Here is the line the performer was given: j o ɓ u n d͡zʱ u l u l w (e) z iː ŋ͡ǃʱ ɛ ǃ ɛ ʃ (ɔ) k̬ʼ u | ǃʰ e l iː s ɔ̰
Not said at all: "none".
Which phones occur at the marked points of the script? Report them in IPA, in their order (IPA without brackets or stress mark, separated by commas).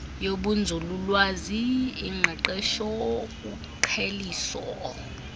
a, ɔ